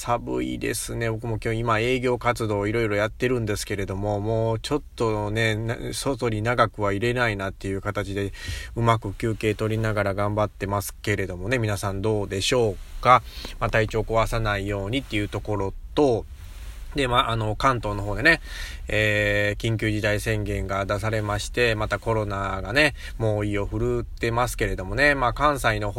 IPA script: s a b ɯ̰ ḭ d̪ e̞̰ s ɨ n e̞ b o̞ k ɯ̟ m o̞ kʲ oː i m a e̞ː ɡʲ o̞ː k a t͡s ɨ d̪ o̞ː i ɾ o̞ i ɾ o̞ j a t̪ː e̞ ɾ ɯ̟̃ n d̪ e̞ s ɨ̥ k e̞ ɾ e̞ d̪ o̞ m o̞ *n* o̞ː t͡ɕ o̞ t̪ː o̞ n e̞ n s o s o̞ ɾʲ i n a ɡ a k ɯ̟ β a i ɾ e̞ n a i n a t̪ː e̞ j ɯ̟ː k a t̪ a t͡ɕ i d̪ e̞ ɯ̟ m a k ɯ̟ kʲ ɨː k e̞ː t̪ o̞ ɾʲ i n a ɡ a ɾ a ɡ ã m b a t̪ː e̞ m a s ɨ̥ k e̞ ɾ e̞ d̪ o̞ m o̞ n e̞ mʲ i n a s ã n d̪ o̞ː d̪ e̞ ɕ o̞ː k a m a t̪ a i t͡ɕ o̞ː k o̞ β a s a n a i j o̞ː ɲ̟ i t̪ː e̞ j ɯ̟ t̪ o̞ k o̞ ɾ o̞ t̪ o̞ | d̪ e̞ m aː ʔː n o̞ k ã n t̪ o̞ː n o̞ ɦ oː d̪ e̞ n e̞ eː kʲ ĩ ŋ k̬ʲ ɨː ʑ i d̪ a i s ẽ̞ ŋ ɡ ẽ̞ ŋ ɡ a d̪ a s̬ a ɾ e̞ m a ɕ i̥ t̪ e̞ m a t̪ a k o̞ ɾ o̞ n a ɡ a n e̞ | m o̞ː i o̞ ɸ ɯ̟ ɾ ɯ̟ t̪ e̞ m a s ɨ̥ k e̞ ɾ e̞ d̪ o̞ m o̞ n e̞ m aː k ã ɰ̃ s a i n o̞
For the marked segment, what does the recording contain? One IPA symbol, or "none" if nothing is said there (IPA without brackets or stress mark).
m